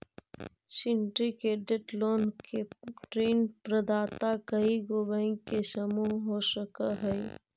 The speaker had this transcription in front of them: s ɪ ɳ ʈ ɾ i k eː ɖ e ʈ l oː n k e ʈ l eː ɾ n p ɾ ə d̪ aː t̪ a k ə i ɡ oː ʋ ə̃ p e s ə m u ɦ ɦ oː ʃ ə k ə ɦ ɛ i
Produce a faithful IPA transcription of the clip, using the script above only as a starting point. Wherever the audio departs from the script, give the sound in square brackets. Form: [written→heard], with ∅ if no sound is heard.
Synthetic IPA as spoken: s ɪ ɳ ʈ ɾ i k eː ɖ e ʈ l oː n k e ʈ [l→ɾ] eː [ɾ→∅] n p ɾ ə d̪ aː t̪ a k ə i ɡ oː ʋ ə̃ [p→k] e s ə m u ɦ ɦ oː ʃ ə k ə ɦ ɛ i